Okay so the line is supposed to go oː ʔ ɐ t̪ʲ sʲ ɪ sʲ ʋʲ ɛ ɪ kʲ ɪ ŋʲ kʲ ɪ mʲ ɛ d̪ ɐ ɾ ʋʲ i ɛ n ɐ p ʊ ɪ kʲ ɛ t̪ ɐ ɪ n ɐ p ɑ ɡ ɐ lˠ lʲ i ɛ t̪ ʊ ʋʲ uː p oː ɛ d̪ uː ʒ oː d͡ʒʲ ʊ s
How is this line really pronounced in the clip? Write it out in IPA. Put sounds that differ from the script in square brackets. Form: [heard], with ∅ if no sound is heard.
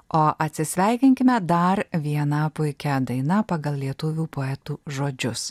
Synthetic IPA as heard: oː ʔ ɐ t̪ʲ sʲ ɪ sʲ ʋʲ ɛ ɪ kʲ ɪ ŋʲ kʲ ɪ mʲ ɛ d̪ ɐ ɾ ʋʲ i ɛ n ɐ p ʊ ɪ kʲ ɛ [d̪] ɐ ɪ n ɐ p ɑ ɡ ɐ lˠ lʲ i ɛ t̪ ʊ ʋʲ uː p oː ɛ [t̪] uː ʒ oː d͡ʒʲ ʊ s